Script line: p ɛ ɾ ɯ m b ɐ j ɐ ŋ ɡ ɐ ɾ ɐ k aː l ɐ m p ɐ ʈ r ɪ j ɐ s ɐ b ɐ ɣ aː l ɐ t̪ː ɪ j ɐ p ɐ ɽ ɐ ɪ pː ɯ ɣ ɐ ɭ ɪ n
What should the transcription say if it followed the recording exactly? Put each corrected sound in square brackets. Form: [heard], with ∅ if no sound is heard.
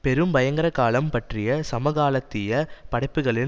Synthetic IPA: p ɛ ɾ ɯ m b ɐ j ɐ ŋ ɡ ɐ ɾ ɐ k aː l ɐ m p ɐ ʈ r ɪ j ɐ s ɐ [m] ɐ ɣ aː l ɐ t̪ː ɪ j ɐ p ɐ ɽ ɐ ɪ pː ɯ ɣ ɐ ɭ ɪ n